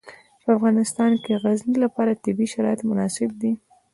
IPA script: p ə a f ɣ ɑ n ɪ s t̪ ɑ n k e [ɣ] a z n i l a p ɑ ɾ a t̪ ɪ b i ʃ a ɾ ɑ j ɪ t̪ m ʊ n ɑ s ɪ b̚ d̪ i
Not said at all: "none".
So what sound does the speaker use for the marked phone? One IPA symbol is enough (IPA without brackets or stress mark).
ɣ